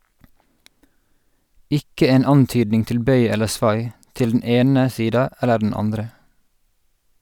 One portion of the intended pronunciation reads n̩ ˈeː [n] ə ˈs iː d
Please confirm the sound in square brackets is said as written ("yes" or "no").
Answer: yes